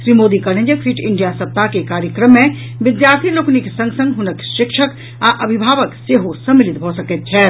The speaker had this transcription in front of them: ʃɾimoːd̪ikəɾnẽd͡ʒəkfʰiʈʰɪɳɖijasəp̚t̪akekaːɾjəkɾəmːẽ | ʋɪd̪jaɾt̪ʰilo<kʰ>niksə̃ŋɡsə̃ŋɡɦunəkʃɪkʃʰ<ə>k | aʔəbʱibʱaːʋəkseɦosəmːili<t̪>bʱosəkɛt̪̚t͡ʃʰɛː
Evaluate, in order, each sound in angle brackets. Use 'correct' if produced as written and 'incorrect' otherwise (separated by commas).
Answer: incorrect, correct, correct